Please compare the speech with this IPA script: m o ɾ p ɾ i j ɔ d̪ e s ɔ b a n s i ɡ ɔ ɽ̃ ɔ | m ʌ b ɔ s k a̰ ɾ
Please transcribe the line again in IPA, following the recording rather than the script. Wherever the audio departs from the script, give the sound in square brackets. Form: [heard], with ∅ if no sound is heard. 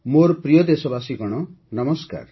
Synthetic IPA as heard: m o ɾ p ɾ i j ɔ d̪ e s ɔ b a [∅] s i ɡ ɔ ɽ̃ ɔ | [n] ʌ [m] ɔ s k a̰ ɾ